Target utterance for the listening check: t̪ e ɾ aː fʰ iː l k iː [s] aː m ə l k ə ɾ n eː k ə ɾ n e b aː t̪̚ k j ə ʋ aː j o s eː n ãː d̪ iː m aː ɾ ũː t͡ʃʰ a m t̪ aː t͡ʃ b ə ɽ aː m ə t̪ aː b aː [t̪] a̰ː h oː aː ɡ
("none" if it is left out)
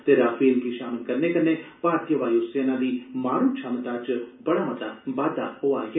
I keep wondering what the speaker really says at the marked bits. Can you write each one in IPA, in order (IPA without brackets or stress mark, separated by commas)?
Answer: ʃ, d̪